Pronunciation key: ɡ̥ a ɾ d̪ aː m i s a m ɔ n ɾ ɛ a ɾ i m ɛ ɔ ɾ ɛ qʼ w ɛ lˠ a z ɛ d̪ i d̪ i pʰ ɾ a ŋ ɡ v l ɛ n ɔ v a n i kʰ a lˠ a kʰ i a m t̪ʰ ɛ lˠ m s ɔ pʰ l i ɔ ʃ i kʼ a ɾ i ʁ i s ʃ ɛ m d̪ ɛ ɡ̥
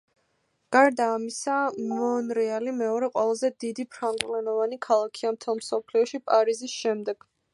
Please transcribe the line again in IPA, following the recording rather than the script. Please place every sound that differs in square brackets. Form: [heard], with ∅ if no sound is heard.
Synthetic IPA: ɡ̥ a ɾ d̪ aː m i s a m ɔ n ɾ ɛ a [l] i m ɛ ɔ ɾ ɛ qʼ w ɛ lˠ a z ɛ d̪ i d̪ i pʰ ɾ a ŋ ɡ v l ɛ n ɔ v a n i kʰ a lˠ a kʰ i a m t̪ʰ ɛ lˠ m s ɔ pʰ l i ɔ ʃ i [pʼ] a ɾ i [z] i s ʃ ɛ m d̪ ɛ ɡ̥